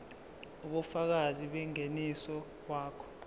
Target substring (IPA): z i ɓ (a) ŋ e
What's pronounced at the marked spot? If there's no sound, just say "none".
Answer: ɛ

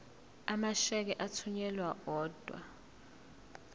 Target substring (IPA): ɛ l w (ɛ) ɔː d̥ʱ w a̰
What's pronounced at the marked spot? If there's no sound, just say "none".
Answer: a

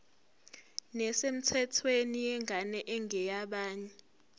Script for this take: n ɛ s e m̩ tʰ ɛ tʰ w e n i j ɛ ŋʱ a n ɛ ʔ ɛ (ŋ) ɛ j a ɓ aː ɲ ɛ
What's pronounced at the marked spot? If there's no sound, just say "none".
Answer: ŋ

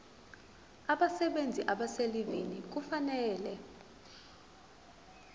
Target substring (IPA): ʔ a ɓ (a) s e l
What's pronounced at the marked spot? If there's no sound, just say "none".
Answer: a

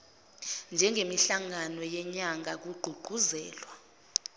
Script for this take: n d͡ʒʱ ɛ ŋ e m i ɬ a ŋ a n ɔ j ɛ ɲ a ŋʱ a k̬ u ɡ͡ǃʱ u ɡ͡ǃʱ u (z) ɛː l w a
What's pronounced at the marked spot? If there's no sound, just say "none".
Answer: z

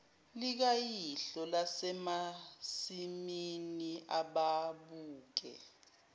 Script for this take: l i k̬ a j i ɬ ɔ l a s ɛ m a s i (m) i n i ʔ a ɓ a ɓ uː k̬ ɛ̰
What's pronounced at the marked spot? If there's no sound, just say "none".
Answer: m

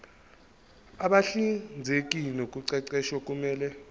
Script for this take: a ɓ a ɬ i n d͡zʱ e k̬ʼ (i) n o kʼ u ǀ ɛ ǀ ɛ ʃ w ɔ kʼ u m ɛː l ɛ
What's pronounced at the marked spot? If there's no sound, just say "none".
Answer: i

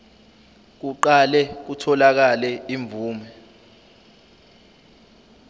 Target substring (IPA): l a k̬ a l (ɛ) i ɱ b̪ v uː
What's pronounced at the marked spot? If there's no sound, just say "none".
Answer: ɛ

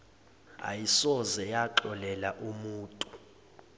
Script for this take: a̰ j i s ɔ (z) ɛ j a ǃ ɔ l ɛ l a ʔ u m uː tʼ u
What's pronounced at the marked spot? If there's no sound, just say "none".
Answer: z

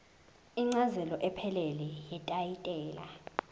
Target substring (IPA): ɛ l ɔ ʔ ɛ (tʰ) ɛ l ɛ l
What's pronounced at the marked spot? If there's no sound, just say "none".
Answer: pʰ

